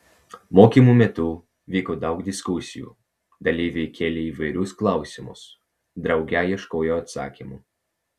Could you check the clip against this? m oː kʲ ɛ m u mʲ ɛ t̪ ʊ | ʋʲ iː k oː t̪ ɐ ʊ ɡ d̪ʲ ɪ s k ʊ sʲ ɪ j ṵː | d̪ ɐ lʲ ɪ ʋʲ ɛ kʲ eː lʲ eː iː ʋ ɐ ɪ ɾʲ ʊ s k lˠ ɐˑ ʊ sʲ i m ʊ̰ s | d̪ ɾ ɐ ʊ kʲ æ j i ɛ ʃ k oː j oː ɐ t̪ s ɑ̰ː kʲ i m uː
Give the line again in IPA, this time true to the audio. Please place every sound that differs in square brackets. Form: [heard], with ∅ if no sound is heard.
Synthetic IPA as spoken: m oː kʲ [i] m u mʲ ɛ t̪ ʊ | ʋʲ iː k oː [d̪] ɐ ʊ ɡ d̪ʲ ɪ s k ʊ sʲ ɪ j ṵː | d̪ ɐ lʲ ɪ ʋʲ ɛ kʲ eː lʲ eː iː ʋ ɐ ɪ ɾʲ ʊ s k lˠ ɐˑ ʊ sʲ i m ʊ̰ s | d̪ ɾ ɐ ʊ [ɡʲ] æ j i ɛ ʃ k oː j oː ɐ t̪ s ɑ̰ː kʲ i m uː